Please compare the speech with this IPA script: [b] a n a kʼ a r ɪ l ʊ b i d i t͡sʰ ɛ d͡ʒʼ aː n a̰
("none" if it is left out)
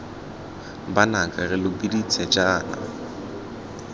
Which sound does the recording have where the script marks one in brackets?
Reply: b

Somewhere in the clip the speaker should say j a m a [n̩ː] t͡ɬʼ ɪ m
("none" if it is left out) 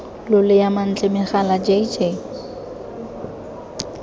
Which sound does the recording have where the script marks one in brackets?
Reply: n̩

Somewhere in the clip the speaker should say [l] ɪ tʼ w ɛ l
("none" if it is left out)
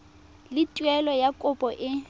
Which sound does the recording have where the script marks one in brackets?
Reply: l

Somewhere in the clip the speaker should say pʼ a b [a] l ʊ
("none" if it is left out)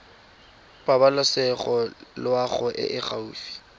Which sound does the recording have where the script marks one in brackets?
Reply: a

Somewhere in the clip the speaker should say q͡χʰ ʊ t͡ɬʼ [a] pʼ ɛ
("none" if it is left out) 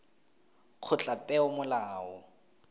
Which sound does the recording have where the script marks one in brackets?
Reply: a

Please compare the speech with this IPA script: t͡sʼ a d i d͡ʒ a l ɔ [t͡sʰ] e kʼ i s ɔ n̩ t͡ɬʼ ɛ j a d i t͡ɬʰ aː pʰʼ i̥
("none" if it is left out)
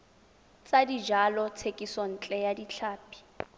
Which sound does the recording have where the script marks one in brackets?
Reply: t͡sʰ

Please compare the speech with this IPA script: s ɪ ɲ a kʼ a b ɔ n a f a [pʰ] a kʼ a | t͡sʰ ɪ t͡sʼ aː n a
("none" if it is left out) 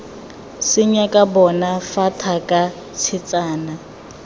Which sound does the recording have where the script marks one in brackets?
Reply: tʰ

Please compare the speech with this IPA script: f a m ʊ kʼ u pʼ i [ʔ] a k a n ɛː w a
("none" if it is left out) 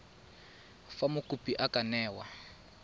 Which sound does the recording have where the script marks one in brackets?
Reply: ʔ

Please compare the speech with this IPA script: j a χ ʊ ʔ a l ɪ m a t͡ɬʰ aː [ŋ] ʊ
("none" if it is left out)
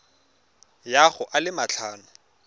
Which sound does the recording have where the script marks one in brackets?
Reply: n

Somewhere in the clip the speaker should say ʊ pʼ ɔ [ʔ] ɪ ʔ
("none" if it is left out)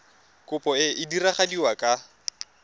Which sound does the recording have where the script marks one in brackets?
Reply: none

